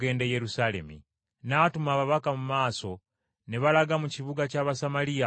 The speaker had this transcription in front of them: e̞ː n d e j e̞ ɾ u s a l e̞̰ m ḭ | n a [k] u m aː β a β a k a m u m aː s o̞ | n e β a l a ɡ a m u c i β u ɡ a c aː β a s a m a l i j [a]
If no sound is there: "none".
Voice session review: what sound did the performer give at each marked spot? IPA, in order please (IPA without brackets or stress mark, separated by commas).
t, a